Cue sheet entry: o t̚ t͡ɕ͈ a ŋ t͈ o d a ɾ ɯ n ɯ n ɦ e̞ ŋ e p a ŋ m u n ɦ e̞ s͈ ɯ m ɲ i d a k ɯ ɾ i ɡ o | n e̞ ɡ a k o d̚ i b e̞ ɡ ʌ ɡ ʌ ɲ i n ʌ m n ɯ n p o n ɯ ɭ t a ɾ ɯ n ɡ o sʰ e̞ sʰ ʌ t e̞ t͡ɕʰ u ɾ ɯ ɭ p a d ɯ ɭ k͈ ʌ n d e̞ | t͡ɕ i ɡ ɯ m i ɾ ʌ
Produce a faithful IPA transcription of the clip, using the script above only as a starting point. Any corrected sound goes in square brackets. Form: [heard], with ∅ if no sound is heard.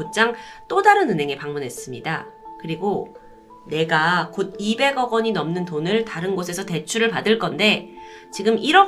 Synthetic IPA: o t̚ t͡ɕ͈ a ŋ t͈ o d a ɾ ɯ n ɯ n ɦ e̞ ŋ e p a ŋ m u n ɦ e̞ s͈ ɯ m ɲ i d a k ɯ ɾ i ɡ o | n e̞ ɡ a k o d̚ i b e̞ ɡ ʌ ɡ ʌ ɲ i n ʌ m n ɯ n [t] o n ɯ ɭ t a ɾ ɯ n ɡ o sʰ e̞ sʰ ʌ t e̞ t͡ɕʰ u ɾ ɯ ɭ p a d ɯ ɭ k͈ ʌ n d e̞ | t͡ɕ i ɡ ɯ m i ɾ ʌ